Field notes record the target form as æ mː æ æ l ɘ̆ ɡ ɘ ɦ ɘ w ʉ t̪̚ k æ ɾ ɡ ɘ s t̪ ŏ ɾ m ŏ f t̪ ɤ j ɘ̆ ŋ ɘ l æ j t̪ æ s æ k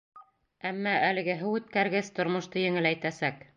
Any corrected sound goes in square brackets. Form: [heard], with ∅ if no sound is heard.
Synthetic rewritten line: æ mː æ æ l ɘ̆ ɡ ɘ ɦ ɘ w ʉ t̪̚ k æ ɾ ɡ ɘ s t̪ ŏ ɾ m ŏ [ʃ] t̪ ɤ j ɘ̆ ŋ ɘ l æ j t̪ æ s æ k